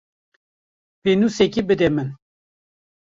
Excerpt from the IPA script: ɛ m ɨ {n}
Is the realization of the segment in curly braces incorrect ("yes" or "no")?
no